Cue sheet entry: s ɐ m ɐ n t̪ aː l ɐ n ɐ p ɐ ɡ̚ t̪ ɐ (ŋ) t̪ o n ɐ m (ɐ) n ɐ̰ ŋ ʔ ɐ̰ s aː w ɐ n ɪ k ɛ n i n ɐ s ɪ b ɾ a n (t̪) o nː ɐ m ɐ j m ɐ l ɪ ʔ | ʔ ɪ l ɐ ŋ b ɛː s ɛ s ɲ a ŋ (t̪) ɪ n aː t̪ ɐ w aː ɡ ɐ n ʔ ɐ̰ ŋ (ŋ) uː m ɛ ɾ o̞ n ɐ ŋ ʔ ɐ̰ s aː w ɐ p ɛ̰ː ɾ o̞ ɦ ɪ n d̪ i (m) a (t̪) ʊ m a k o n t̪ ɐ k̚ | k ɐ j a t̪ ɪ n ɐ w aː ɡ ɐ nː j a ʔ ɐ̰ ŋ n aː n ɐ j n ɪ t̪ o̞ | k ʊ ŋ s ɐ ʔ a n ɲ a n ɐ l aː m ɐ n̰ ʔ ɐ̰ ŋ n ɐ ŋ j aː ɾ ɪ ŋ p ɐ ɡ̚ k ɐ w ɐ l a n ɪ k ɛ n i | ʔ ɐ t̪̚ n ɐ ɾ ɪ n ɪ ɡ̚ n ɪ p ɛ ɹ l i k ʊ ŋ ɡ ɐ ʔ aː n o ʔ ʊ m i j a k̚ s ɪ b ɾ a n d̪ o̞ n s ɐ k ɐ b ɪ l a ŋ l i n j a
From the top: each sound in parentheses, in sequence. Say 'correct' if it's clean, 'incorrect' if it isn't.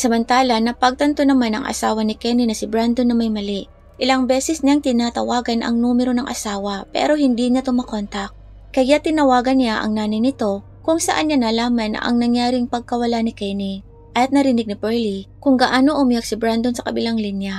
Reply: incorrect: n, incorrect: a, incorrect: d̪, correct, incorrect: n, incorrect: ɲ, correct

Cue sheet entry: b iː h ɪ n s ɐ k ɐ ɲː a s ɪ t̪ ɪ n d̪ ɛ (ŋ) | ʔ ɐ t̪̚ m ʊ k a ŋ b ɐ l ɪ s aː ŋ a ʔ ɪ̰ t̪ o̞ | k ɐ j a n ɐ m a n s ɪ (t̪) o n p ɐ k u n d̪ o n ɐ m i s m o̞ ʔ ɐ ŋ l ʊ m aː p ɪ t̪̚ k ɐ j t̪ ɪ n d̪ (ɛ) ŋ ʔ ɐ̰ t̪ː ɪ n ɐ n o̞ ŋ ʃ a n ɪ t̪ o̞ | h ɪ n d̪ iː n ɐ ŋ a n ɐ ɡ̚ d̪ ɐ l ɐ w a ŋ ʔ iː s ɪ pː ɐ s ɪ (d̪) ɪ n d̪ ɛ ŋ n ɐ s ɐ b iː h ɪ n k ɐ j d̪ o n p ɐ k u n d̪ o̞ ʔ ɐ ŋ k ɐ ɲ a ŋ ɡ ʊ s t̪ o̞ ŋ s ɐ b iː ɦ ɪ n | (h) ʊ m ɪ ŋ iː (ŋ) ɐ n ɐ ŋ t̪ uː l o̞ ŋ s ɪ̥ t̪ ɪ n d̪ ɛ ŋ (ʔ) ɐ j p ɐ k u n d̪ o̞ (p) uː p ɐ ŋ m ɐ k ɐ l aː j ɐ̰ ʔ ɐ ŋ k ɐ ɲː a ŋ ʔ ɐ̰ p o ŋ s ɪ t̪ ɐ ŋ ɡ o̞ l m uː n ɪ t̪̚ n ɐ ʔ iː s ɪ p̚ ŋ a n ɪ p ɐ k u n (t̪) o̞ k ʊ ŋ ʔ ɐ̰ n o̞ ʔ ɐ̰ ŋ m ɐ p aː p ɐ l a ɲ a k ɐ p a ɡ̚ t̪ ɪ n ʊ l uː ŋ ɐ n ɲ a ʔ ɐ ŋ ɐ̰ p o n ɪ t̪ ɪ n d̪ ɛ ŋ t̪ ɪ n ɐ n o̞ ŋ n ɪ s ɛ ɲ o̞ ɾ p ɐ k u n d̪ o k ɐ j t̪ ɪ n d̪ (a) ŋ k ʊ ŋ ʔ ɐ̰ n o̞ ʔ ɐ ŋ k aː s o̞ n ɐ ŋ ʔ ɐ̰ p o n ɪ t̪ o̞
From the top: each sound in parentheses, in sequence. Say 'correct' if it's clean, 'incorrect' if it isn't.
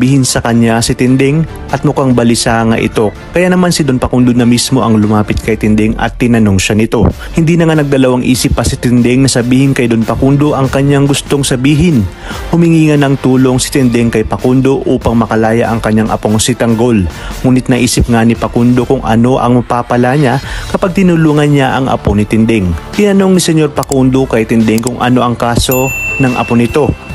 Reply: correct, incorrect: d̪, correct, incorrect: t̪, correct, correct, incorrect: k, incorrect: ʔ, incorrect: d̪, incorrect: ɛ

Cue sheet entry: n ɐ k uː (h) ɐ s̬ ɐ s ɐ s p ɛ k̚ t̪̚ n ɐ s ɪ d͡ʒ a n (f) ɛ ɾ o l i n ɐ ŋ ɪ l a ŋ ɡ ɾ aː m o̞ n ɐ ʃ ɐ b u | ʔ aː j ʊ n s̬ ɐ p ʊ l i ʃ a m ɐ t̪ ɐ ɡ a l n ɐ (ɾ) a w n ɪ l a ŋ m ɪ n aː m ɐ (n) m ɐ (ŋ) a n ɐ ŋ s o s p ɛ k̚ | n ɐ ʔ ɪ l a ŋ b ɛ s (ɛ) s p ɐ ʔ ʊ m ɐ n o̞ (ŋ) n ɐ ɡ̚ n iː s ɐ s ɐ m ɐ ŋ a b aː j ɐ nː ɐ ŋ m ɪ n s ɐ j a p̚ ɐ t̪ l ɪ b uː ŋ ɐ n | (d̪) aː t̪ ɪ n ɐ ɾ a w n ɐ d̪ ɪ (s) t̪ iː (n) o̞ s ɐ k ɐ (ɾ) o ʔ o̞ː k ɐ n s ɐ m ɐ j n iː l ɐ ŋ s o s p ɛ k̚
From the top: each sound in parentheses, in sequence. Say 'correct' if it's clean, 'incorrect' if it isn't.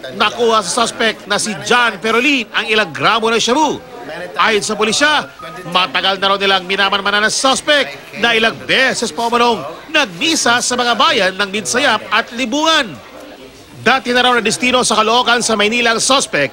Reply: correct, correct, correct, correct, incorrect: n, correct, correct, correct, correct, correct, incorrect: l

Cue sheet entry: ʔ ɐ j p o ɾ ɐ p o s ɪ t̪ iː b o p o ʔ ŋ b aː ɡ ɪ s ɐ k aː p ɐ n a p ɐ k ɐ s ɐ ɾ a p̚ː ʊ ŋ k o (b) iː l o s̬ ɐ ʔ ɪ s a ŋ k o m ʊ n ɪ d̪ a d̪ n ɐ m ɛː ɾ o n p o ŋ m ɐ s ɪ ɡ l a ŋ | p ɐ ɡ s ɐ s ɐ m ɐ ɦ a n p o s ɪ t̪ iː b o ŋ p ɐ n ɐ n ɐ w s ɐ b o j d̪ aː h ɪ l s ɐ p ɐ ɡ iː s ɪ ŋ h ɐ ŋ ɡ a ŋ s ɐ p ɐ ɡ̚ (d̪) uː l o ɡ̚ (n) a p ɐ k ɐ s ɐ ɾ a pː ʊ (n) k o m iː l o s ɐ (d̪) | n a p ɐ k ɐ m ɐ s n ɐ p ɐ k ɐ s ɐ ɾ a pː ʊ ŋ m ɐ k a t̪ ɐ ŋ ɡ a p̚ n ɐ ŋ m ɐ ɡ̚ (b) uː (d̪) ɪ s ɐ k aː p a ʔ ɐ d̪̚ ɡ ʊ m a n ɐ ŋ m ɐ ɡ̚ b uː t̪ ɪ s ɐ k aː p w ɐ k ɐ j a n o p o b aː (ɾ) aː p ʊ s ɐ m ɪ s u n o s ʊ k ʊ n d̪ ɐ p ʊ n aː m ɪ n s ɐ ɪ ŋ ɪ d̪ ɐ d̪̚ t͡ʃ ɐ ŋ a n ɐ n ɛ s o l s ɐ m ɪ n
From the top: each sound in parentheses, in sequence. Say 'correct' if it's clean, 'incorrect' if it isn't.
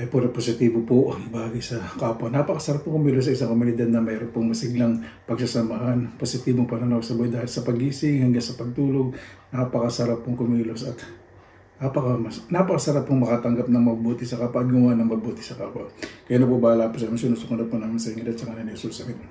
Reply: incorrect: m, incorrect: t̪, correct, incorrect: ŋ, incorrect: t̪, correct, incorrect: t̪, incorrect: l

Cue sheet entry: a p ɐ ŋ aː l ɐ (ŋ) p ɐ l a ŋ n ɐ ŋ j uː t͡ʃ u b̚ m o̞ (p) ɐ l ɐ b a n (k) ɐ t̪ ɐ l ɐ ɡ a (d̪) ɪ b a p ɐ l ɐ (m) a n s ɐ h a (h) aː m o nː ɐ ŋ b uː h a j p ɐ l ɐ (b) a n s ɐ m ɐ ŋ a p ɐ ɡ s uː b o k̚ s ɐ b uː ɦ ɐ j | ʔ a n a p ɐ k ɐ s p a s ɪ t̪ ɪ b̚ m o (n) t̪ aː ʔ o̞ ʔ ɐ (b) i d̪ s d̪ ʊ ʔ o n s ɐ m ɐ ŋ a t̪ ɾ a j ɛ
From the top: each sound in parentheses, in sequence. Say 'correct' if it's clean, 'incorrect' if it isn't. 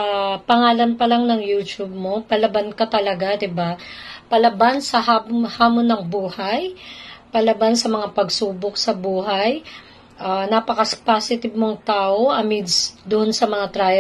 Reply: incorrect: n, correct, correct, correct, incorrect: b, correct, correct, incorrect: ŋ, incorrect: m

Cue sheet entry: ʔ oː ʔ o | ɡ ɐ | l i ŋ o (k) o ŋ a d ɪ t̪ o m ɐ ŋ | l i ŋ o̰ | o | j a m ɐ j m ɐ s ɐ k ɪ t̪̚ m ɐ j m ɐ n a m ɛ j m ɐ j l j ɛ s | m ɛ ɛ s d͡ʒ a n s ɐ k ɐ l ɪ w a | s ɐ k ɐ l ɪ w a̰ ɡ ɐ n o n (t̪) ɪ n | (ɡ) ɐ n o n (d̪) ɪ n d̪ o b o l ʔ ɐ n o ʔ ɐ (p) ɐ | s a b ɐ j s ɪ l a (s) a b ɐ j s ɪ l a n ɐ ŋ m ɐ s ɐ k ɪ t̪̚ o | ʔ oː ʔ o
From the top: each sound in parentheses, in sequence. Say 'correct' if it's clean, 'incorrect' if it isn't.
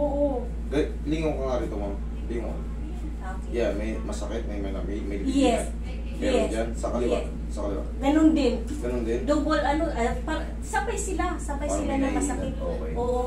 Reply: correct, incorrect: d̪, correct, correct, correct, correct

